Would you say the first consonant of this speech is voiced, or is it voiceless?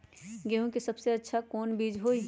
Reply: voiced